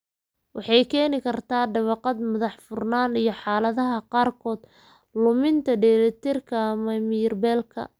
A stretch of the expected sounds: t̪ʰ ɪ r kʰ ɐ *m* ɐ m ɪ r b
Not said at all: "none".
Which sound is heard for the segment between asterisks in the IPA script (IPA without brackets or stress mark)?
m